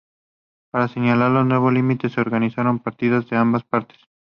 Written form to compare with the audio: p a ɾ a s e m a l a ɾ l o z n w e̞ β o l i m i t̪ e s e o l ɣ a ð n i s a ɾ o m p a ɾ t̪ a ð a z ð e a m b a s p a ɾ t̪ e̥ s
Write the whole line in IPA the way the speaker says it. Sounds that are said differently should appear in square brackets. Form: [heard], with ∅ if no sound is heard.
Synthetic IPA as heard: p a ɾ a s e [ɲ] a l a ɾ l o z n w e̞ β o l i m i t̪ e s e o [ɾ] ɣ a [∅] n i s a ɾ o m p a ɾ t̪ [i] ð a z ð e a m b a s p a ɾ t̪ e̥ s